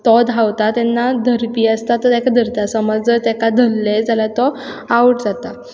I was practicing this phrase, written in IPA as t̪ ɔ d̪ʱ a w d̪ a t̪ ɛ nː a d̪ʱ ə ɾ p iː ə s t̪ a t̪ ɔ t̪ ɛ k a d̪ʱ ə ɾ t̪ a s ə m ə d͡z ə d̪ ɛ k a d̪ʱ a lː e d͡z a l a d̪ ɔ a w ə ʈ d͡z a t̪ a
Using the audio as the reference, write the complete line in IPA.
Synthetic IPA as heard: t̪ ɔ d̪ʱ a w t̪ a t̪ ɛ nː a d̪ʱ ə ɾ p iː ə s t̪ a t̪ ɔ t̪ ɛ k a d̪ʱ ə ɾ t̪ a s ə m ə d͡z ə t̪ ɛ k a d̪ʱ ə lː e d͡z a l a t̪ ɔ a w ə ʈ d͡z a t̪ a